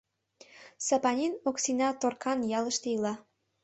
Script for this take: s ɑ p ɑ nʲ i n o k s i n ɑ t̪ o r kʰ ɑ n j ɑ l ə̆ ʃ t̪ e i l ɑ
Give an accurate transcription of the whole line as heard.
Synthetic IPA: s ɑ p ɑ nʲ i n o k s i n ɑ t̪ o r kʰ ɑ n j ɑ l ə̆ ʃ t̪ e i l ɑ